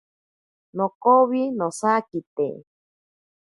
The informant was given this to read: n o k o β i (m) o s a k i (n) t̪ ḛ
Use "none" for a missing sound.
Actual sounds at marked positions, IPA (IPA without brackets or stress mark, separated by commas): n, none